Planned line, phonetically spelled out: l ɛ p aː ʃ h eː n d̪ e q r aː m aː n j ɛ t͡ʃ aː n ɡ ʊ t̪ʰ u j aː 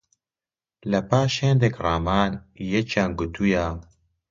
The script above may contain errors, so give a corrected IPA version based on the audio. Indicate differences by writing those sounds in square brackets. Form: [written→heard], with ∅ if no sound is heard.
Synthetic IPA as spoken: l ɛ p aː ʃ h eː n d̪ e [q→k] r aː m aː n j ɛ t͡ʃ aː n ɡ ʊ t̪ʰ u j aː